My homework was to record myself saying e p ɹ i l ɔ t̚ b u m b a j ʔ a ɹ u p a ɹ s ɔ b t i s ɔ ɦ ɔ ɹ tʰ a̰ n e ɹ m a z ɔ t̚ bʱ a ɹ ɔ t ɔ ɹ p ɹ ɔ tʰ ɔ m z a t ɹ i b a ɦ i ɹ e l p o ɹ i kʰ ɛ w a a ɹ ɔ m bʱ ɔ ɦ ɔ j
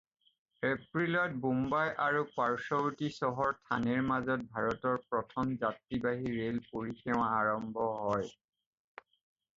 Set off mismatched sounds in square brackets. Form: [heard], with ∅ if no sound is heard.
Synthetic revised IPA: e p ɹ i l ɔ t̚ b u m b a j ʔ a ɹ u p a ɹ s ɔ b t i s ɔ ɦ ɔ ɹ tʰ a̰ n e ɹ m a z ɔ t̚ bʱ a ɹ ɔ t ɔ ɹ p ɹ ɔ tʰ ɔ m z a t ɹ i b a ɦ i ɹ e l p o ɹ i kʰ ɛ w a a ɹ ɔ m bʱ ɔ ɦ ɔ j